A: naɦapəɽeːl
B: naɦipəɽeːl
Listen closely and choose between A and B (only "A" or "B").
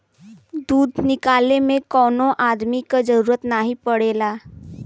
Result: B